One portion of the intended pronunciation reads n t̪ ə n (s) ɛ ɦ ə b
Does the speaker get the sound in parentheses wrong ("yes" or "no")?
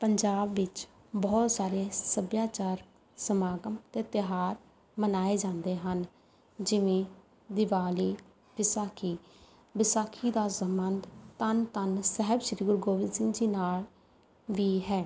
no